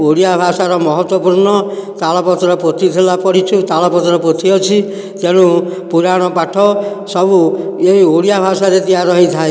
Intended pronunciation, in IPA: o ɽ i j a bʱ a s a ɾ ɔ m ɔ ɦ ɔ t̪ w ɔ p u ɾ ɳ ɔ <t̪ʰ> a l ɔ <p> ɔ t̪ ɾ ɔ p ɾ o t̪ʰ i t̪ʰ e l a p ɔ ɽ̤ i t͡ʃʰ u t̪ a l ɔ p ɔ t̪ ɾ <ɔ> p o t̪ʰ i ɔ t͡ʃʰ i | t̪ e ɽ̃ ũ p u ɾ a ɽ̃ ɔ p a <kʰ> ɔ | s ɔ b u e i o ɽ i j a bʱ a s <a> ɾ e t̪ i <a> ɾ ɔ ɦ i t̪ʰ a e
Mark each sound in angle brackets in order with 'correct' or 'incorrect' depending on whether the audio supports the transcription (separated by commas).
incorrect, correct, correct, incorrect, correct, correct